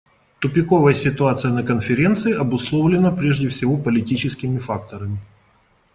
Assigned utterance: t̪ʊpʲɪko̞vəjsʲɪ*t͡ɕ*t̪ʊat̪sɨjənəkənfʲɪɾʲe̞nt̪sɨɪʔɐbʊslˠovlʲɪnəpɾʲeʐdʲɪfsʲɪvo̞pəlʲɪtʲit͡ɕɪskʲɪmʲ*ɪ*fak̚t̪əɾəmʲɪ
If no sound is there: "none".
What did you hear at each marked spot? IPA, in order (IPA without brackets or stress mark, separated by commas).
none, ɪ